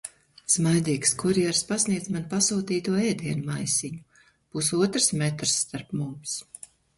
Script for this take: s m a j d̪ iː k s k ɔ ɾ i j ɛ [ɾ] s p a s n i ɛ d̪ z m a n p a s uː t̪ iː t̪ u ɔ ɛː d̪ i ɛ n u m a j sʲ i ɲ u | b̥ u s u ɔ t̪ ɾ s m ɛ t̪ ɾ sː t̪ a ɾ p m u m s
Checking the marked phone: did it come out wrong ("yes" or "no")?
no